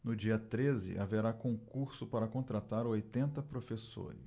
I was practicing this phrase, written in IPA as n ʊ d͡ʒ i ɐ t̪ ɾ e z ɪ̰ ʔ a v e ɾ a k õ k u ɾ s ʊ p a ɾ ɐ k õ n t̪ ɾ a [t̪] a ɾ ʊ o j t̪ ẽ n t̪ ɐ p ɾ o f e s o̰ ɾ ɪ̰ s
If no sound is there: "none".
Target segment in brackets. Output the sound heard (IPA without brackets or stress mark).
t̪